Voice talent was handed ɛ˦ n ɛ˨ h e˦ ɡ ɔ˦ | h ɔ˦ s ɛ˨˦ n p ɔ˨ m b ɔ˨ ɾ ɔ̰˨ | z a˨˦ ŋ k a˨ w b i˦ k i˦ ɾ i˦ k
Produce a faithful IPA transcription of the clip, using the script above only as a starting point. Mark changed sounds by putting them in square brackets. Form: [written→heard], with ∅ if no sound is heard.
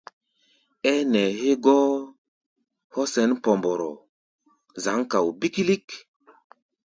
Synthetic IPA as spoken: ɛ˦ n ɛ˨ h e˦ ɡ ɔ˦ | h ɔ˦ s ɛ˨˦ n p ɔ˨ m b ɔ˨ ɾ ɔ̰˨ | z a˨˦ ŋ k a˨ w b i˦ k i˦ [ɾ→l] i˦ k